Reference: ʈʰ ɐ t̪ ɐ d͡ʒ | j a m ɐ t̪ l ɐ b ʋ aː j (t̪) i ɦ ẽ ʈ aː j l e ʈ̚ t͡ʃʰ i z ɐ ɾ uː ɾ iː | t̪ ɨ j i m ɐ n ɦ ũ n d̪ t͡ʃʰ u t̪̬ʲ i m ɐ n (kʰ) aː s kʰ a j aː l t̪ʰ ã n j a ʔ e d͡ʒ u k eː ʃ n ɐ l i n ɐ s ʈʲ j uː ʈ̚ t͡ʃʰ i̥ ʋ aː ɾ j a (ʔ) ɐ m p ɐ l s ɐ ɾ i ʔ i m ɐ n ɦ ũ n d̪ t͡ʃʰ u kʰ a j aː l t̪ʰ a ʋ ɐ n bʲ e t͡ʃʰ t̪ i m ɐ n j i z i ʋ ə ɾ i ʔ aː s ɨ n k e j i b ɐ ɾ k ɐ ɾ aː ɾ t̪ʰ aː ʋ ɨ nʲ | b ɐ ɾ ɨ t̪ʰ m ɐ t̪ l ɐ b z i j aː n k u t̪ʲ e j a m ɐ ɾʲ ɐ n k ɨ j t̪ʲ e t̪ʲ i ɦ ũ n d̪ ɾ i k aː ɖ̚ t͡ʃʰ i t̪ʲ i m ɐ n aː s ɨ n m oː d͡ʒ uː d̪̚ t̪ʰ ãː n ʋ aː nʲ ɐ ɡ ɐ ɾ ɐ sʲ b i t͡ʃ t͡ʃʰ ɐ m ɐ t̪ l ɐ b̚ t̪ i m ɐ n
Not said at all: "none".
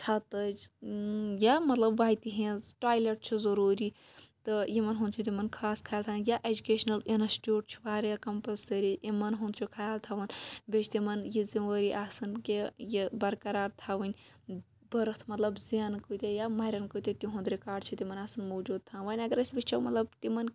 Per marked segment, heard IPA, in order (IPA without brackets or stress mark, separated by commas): t̪, kʰ, k